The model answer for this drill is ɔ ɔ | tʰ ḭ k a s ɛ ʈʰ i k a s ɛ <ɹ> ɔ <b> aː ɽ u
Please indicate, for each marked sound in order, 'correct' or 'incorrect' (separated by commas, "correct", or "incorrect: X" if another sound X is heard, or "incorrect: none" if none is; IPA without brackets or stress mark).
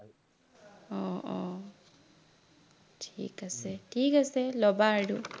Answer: incorrect: l, correct